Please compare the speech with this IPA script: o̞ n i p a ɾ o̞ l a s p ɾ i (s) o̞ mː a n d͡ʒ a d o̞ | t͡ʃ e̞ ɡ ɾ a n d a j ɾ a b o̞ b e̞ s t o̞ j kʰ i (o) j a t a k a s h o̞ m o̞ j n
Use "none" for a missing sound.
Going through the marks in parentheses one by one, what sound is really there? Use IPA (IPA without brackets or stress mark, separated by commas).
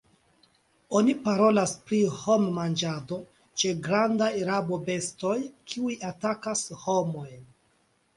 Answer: h, u